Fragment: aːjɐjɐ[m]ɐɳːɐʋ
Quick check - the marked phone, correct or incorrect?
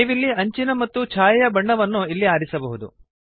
incorrect